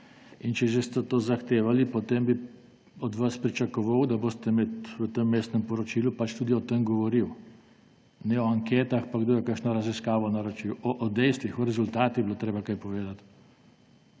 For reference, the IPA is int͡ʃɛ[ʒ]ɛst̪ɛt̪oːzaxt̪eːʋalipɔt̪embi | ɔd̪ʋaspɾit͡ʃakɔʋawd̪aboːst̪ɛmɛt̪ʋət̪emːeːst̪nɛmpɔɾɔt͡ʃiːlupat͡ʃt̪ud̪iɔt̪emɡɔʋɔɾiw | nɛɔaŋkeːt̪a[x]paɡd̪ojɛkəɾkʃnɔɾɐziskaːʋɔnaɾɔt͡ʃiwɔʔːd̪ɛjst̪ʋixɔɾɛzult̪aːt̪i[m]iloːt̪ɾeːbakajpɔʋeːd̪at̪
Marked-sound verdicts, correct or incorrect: correct, correct, incorrect

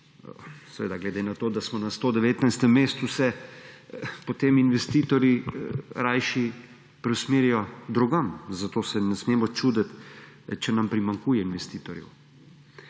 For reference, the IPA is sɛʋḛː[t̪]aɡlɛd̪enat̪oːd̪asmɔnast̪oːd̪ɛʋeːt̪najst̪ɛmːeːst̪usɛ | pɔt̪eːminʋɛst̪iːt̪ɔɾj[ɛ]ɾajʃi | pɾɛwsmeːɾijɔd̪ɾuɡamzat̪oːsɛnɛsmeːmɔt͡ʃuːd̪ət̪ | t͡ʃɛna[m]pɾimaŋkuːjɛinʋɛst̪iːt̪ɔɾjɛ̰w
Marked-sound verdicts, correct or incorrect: incorrect, incorrect, correct

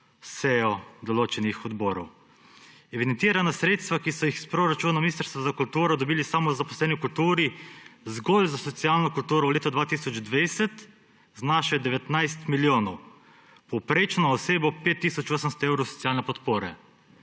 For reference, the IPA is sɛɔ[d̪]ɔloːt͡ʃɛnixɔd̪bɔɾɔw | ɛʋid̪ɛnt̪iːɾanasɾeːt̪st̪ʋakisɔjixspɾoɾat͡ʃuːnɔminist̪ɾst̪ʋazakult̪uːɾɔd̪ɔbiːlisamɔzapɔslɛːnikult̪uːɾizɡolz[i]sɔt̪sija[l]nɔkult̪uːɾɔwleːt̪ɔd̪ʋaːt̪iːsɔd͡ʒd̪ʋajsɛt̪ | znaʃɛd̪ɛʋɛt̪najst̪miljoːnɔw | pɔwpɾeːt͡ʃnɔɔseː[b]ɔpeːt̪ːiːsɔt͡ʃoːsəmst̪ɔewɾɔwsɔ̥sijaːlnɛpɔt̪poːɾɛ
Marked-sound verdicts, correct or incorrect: correct, incorrect, correct, correct

